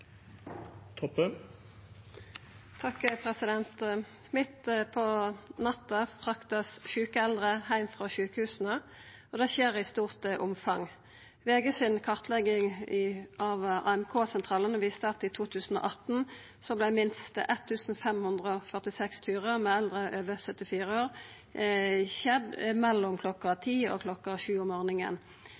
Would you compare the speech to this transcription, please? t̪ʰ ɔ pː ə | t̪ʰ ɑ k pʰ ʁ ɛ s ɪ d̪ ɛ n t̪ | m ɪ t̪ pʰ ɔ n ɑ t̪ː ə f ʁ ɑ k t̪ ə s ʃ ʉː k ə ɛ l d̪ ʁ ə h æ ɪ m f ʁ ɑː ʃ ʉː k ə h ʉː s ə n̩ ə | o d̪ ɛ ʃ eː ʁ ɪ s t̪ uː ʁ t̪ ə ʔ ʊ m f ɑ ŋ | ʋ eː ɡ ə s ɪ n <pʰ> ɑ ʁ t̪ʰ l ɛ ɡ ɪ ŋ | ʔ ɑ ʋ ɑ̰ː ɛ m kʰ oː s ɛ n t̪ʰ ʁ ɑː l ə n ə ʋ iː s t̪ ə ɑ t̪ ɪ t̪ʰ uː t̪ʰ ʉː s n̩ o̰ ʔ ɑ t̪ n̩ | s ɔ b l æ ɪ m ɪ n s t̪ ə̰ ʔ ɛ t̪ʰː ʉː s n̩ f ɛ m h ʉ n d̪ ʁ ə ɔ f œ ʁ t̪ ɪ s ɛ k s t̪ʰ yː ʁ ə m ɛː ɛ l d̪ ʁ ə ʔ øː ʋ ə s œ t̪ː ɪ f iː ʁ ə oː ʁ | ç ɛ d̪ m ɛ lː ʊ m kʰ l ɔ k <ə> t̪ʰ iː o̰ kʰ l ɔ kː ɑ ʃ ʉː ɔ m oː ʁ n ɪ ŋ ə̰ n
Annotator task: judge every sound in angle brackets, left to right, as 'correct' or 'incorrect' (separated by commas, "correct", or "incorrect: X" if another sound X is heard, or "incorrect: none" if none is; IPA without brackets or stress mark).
incorrect: kʰ, incorrect: ɑ